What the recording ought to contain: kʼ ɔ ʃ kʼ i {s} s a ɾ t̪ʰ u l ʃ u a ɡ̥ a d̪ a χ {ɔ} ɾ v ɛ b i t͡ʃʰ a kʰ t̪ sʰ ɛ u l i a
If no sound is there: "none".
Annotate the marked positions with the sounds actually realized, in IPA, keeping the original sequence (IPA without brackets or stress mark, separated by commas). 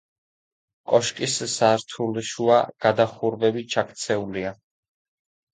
s, u